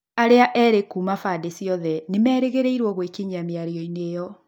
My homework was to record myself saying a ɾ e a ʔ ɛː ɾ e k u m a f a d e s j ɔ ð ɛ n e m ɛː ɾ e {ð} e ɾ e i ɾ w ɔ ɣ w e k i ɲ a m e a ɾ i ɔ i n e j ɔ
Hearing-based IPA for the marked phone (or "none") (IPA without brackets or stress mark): ɣ